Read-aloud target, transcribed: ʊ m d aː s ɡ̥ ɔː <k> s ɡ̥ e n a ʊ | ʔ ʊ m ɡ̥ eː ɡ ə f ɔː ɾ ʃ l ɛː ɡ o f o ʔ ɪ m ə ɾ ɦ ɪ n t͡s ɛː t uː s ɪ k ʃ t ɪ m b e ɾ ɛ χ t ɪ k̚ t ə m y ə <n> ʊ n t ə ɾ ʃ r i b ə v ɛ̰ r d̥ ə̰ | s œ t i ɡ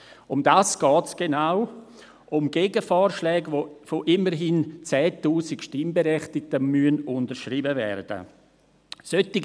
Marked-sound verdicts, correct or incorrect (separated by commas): incorrect, correct